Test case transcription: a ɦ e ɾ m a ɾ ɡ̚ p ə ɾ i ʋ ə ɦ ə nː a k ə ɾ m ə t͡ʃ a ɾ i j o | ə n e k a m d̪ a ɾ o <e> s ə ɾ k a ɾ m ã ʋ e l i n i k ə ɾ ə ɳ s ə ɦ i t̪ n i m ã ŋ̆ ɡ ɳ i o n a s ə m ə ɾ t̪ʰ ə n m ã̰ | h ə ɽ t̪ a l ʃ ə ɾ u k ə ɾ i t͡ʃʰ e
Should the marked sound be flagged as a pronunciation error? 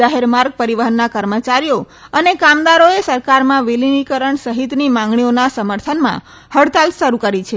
no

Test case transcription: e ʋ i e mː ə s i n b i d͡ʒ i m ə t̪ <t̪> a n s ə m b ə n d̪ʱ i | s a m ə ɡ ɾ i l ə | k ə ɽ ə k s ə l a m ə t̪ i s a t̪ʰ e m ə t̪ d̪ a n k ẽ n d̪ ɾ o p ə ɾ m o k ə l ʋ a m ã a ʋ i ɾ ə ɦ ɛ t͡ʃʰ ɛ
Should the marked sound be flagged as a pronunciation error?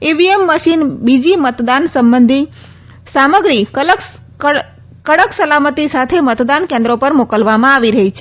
yes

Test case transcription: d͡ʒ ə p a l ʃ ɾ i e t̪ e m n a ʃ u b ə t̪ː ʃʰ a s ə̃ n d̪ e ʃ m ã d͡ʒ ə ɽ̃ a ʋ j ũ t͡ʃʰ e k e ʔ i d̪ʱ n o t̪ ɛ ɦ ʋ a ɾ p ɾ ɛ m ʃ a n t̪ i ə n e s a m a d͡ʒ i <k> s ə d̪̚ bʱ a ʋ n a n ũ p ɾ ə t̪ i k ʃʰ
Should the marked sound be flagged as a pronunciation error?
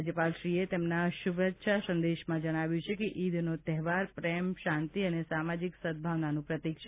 no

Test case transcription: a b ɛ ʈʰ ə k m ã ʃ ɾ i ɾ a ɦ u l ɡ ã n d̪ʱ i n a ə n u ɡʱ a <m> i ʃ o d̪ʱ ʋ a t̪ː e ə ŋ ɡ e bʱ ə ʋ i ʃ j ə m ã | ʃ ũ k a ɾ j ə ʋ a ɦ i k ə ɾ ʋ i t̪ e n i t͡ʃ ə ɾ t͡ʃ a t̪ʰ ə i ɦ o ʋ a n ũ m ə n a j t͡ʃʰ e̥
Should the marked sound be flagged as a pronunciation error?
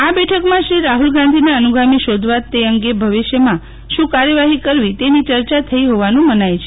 no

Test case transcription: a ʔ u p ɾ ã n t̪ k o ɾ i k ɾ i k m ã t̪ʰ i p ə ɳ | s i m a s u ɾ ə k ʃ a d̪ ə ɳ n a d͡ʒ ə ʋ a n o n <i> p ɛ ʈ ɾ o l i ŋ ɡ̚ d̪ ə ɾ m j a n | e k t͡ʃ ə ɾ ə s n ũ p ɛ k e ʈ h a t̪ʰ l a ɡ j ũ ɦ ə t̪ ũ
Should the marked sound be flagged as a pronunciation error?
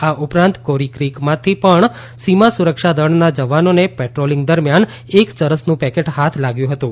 yes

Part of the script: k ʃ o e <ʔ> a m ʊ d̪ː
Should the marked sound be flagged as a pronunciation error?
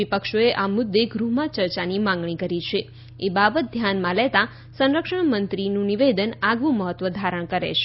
no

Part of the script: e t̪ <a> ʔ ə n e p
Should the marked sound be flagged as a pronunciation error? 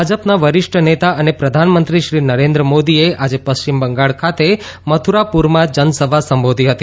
no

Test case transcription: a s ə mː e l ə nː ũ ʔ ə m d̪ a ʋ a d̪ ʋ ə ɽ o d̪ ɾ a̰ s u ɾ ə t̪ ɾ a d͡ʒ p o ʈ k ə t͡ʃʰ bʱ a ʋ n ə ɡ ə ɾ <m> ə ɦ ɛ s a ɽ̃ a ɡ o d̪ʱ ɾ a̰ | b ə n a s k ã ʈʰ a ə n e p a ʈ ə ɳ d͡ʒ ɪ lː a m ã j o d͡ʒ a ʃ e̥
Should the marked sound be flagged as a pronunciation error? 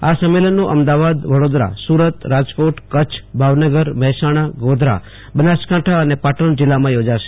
no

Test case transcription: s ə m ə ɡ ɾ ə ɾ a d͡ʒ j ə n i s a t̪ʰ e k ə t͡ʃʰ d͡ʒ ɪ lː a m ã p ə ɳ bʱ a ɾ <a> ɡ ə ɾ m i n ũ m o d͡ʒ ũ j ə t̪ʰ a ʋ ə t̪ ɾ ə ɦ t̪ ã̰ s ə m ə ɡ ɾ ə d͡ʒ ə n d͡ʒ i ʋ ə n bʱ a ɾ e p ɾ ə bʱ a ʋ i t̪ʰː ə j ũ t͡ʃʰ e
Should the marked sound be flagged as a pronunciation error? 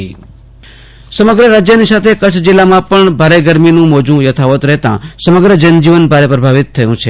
yes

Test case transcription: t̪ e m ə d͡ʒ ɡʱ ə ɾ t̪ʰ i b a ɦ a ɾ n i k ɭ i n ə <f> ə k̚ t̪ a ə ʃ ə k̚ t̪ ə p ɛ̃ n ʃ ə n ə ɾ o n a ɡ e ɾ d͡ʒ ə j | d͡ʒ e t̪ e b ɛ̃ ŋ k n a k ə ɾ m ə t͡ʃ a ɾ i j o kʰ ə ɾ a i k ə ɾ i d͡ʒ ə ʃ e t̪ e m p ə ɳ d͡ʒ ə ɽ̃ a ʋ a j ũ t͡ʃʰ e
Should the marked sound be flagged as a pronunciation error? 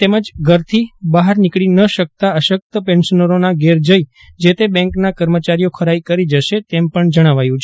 yes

